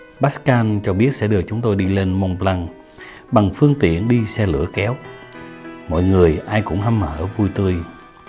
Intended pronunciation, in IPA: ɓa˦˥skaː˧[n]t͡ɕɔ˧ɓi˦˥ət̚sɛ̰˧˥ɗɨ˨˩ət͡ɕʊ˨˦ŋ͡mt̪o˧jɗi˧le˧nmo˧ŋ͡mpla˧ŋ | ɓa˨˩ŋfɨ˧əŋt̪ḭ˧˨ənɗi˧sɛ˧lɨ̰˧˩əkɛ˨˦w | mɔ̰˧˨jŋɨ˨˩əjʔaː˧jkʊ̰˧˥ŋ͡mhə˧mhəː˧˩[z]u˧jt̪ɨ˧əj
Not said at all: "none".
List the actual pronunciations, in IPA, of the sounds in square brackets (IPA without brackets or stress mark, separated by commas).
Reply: n, v